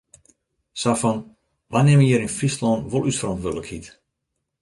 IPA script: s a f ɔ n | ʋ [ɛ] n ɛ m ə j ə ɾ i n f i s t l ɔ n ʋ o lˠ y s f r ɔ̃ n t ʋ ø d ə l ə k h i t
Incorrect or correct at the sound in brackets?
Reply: incorrect: a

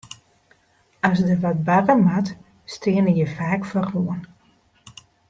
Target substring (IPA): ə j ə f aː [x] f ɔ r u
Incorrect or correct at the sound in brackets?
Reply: incorrect: k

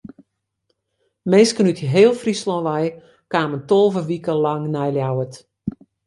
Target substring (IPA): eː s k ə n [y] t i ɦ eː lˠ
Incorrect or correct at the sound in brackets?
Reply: correct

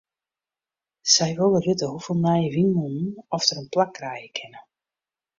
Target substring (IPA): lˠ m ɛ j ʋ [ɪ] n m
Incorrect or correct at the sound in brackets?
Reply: incorrect: i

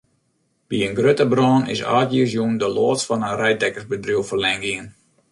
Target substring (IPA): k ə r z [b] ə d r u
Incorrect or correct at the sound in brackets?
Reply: correct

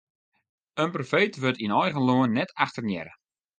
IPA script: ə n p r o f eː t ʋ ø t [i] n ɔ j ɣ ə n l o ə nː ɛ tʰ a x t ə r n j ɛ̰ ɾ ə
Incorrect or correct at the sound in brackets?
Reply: correct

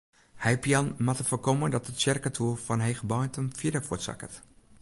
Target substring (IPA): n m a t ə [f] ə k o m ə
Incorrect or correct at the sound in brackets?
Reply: correct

